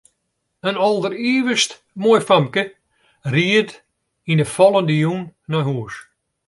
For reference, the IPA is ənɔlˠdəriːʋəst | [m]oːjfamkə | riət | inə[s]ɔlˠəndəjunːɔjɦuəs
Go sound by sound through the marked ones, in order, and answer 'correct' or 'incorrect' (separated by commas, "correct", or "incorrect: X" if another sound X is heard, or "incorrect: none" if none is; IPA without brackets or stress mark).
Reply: correct, incorrect: f